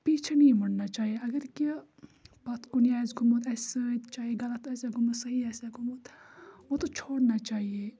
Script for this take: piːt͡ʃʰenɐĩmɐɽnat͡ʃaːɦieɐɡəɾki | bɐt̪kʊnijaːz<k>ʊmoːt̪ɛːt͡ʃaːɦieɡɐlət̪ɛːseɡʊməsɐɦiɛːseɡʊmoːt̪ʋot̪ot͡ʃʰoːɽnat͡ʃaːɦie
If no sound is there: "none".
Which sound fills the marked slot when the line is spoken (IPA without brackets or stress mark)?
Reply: ɡ